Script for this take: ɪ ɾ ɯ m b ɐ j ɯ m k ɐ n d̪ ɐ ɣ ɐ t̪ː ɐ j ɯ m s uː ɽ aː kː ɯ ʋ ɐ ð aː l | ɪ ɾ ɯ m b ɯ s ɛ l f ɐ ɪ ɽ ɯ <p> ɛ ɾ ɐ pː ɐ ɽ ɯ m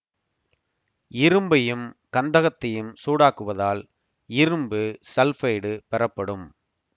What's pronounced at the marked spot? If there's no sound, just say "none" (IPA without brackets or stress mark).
p